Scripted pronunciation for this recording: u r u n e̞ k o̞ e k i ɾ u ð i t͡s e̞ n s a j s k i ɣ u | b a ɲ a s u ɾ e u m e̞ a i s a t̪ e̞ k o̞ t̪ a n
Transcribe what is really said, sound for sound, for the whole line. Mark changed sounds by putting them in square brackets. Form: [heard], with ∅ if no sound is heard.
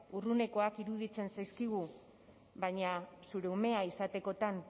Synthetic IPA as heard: u r u n e̞ k o̞ [a] k i ɾ u ð i t͡s e̞ n s a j s k i ɣ u | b a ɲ a s u ɾ e u m e̞ a i s a t̪ e̞ k o̞ t̪ a n